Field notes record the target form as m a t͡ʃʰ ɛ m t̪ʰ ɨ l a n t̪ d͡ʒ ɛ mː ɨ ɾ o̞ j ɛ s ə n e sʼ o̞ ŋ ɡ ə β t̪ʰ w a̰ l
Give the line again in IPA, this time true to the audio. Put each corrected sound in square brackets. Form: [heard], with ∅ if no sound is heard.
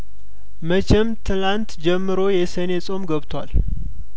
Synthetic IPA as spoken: m [ə] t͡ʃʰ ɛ m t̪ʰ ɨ l a n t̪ d͡ʒ ɛ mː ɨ ɾ o̞ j ɛ s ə n e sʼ o̞ [m] ɡ ə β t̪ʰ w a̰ l

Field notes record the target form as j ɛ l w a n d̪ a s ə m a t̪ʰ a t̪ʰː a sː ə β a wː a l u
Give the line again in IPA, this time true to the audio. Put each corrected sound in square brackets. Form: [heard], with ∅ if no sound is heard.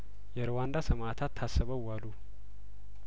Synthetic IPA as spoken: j ɛ [ɾ] w a n d̪ a s ə m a t̪ʰ a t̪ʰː a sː ə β [ə] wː a l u

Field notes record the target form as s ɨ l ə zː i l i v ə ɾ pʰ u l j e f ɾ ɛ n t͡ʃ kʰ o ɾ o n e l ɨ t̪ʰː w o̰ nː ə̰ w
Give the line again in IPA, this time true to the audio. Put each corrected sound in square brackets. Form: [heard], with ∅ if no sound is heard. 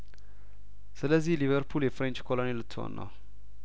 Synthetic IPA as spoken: s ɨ l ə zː i l i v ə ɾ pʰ u l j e f ɾ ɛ n t͡ʃ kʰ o [l] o n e l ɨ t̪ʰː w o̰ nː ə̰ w

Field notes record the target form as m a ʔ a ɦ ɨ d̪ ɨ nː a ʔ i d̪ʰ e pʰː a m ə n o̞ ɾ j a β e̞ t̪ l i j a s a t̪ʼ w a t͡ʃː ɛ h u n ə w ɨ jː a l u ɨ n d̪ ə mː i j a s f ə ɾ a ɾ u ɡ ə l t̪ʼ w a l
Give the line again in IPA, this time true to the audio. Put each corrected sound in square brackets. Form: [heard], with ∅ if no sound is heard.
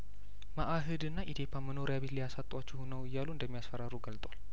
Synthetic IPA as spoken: m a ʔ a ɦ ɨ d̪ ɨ nː a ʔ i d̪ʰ e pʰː a m ə n o̞ ɾ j a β e̞ t̪ l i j a s a t̪ʼ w a t͡ʃː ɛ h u n ə w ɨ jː a l u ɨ n d̪ ə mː i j a s f ə ɾ a ɾ u ɡ ə l t̪ʼ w a l

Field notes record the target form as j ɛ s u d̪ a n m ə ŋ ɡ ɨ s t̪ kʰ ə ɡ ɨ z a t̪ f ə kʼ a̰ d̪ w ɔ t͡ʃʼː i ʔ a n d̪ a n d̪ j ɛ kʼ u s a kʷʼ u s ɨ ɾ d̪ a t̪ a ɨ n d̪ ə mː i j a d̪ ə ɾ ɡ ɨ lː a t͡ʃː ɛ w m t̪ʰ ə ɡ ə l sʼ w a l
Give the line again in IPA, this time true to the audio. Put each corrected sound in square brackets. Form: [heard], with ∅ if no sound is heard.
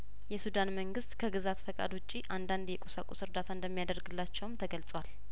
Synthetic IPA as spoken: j ɛ s u d̪ a n m ə ŋ ɡ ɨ s t̪ kʰ ə ɡ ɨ z a t̪ f ə kʼ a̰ d̪ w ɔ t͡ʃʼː i ʔ a n d̪ a n d̪ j ɛ kʼ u s a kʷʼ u s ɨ ɾ d̪ a [t̪ʰ] a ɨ n d̪ ə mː i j a d̪ ə ɾ ɡ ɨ lː a t͡ʃː ɛ w m t̪ʰ ə ɡ ə l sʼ w a l

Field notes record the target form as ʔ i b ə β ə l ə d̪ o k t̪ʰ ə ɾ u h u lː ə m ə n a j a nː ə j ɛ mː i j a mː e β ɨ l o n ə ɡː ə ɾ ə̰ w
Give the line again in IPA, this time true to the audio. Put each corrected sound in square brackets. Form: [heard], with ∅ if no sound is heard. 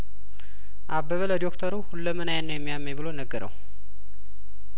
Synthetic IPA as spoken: ʔ [a] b ə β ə l ə d̪ o k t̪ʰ ə ɾ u h u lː ə m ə n a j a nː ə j ɛ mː i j a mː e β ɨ l o n ə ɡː ə ɾ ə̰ w

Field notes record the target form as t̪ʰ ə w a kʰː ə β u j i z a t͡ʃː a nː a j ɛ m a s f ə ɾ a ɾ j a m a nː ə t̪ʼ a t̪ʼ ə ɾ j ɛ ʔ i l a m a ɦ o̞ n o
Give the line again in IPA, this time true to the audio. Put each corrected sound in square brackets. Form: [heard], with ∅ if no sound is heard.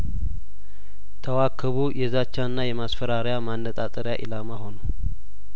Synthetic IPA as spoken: t̪ʰ ə w a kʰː ə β u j [ɛ] z a t͡ʃː a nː a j ɛ m a s f ə ɾ a ɾ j a m a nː ə t̪ʼ a t̪ʼ ə ɾ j [a] ʔ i l a m a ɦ o̞ n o

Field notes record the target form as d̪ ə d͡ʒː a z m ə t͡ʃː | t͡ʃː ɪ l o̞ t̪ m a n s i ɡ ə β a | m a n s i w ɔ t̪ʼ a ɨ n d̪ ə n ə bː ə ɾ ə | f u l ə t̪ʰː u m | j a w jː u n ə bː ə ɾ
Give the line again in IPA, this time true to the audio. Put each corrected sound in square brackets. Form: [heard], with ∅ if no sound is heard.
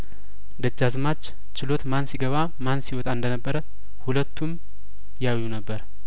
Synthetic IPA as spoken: d̪ ə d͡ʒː a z m [a] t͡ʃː | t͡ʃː ɪ l o̞ t̪ m a n s i ɡ ə β a | m a n s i w ɔ t̪ʼ a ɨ n d̪ ə n ə bː ə ɾ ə | [h] u l ə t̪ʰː u m | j a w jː u n ə bː ə ɾ

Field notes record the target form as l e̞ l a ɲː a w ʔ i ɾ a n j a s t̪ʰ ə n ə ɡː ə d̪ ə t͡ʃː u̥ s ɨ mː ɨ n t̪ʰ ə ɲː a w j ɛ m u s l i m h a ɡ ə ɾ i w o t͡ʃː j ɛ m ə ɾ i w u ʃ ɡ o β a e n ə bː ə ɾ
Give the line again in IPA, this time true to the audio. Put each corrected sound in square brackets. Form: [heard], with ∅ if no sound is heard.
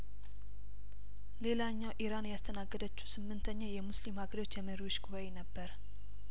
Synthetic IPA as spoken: l e̞ l a ɲː a w ʔ i ɾ a n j a s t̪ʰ ə n [a] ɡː ə d̪ ə t͡ʃː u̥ s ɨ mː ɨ n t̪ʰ ə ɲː a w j ɛ m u s l i m h a ɡ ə ɾ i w o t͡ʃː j ɛ m ə ɾ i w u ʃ ɡ [u] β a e n ə bː ə ɾ

